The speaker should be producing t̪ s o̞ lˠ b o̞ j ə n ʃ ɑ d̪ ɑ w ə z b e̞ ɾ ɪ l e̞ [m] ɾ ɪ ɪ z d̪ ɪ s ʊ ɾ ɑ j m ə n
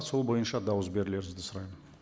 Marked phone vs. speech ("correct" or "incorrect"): incorrect